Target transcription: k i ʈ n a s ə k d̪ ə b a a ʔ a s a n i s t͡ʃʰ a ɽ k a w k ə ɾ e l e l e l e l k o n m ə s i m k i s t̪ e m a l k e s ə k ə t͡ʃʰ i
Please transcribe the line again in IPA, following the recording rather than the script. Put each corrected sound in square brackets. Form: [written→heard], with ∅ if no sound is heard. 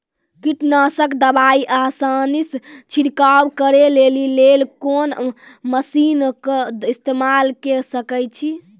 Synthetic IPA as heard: k i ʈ n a s ə k d̪ ə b a [a→i] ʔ a s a n i s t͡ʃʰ [a→i] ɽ k a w k ə ɾ e l e l [e→i] l e l k o n m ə s i [m→n] k i s t̪ e m a l k e s ə k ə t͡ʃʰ i